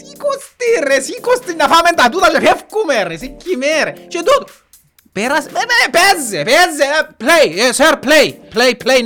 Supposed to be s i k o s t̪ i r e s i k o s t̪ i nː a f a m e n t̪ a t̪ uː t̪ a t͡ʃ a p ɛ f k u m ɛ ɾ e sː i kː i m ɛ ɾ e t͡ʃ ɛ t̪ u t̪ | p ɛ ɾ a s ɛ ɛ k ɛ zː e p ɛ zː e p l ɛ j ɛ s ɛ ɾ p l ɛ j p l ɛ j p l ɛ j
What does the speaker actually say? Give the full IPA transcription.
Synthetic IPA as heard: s i k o s t̪ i r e s i k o s t̪ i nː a f a m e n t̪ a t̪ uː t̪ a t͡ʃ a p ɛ f k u m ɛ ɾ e s i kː i m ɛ ɾ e t͡ʃ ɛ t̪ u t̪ | p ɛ ɾ a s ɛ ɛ p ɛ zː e p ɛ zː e p l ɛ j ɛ s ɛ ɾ p l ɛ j p l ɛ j p l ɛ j